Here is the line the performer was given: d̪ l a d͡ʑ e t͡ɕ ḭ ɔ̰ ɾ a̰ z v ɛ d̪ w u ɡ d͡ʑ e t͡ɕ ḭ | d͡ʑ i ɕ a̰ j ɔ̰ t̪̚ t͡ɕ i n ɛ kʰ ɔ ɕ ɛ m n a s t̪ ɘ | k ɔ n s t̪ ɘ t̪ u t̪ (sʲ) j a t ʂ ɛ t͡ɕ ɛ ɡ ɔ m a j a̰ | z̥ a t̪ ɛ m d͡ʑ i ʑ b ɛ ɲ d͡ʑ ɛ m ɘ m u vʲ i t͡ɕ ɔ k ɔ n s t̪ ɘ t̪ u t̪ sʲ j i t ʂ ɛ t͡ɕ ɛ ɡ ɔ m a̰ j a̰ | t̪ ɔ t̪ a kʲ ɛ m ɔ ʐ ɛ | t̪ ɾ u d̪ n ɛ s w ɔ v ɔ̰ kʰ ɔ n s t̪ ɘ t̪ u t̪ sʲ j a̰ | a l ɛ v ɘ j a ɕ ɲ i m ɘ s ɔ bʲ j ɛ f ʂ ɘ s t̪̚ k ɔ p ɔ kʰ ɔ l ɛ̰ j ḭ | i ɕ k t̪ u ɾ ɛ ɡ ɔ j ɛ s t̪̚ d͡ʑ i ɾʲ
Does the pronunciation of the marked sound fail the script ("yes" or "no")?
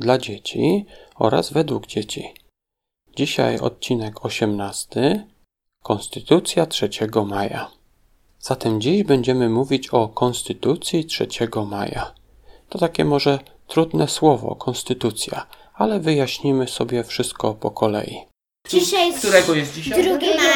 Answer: no